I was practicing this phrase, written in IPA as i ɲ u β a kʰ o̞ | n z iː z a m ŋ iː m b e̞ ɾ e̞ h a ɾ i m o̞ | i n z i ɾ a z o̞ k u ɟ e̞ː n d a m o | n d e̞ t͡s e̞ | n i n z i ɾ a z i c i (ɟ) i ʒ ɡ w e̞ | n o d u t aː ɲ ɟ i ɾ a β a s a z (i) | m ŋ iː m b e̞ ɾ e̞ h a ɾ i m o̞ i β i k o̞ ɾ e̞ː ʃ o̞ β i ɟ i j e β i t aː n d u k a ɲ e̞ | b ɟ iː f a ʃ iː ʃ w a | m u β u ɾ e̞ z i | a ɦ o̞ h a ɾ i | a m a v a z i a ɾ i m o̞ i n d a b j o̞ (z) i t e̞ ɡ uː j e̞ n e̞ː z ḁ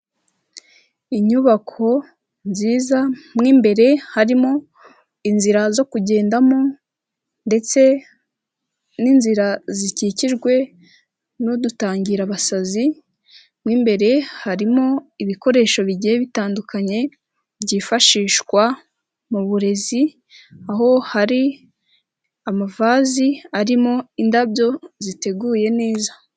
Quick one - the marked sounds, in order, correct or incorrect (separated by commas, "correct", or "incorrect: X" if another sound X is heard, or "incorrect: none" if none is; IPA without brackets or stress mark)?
incorrect: c, correct, correct